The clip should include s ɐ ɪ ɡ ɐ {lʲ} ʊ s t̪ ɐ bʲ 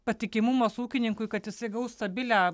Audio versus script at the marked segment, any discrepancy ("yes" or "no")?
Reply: yes